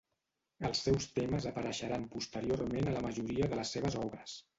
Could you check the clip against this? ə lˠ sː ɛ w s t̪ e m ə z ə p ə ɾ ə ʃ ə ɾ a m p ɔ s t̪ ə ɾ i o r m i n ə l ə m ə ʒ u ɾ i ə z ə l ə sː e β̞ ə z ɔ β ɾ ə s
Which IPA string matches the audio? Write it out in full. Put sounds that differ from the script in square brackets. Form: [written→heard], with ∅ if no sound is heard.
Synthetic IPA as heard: ə lˠ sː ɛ w s t̪ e m ə z ə p ə ɾ ə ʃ ə ɾ a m p [ɔ→u] s t̪ ə ɾ i o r m [i→e] n ə l ə m ə ʒ u ɾ i ə [z→ð] ə l ə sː e β̞ ə z ɔ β ɾ ə s